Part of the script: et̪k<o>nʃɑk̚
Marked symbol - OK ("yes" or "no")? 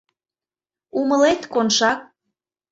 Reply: yes